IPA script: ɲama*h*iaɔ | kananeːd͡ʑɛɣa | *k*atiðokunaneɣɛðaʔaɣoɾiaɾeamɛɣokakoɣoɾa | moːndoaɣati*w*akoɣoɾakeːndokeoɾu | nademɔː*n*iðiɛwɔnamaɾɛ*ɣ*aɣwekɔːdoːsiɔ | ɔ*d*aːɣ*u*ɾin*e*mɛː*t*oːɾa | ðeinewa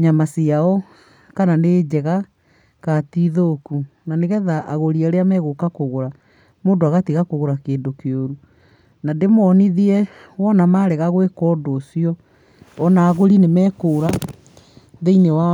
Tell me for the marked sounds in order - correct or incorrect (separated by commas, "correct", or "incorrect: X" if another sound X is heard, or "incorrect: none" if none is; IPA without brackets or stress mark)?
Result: incorrect: s, correct, incorrect: ɣ, correct, correct, incorrect: n, incorrect: o, correct, incorrect: k